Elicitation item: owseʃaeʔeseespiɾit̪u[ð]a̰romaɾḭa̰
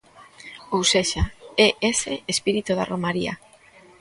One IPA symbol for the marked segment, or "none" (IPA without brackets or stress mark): ð